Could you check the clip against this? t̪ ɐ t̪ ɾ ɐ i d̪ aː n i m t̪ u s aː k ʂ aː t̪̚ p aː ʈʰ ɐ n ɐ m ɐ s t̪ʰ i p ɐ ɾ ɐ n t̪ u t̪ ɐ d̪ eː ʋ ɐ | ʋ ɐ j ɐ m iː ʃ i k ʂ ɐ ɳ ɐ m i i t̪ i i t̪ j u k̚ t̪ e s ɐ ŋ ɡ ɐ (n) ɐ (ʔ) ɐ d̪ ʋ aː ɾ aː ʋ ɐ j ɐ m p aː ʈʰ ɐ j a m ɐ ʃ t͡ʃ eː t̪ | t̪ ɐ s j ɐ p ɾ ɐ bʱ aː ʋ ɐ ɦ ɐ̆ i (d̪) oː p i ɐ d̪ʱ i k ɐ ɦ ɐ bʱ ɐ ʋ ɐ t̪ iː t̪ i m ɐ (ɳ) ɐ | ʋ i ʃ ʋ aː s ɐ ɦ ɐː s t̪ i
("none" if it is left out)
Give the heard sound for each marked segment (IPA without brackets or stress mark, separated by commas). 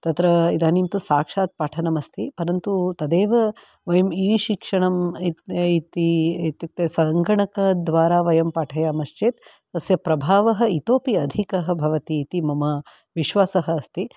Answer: ɳ, k, t̪, m